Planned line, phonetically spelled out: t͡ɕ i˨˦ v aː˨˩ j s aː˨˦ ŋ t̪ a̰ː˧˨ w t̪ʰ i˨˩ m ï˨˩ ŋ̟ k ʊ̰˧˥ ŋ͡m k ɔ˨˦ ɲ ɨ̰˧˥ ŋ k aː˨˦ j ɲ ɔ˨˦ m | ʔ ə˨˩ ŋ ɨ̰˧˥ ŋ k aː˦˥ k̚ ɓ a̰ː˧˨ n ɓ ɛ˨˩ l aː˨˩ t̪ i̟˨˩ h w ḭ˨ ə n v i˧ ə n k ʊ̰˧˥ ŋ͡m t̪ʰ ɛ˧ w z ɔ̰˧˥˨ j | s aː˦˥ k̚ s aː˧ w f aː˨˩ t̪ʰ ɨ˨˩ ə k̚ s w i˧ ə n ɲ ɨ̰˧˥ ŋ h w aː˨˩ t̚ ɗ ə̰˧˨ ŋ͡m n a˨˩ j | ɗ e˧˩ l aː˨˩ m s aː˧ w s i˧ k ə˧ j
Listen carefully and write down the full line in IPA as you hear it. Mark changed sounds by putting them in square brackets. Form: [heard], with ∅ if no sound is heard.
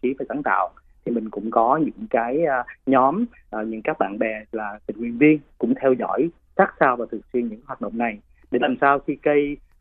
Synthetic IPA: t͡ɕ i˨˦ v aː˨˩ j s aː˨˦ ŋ t̪ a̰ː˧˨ w t̪ʰ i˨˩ m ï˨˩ ŋ̟ k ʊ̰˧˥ ŋ͡m k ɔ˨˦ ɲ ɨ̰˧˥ ŋ k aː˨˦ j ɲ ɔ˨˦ m | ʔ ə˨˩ [ɲ] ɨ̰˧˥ ŋ k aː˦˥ k̚ ɓ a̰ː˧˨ n ɓ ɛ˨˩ l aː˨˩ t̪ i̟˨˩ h w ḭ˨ ə n v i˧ ə n k ʊ̰˧˥ ŋ͡m t̪ʰ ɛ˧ w z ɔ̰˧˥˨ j | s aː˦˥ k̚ s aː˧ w [v] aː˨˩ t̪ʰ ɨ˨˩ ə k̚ s w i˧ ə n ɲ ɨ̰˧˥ ŋ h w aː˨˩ t̚ ɗ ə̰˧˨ ŋ͡m n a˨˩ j | ɗ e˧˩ l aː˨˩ m s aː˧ w [x] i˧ k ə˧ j